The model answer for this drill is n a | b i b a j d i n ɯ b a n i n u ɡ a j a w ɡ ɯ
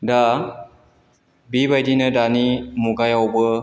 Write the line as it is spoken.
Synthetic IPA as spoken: d a | b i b a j d i n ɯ d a n i m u ɡ a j a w b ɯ